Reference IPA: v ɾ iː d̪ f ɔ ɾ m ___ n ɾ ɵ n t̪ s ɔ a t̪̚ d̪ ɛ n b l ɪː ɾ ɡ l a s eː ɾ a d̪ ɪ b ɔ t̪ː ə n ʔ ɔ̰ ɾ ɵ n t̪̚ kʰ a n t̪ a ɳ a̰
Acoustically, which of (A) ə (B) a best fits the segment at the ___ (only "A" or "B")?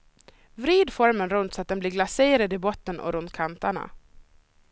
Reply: A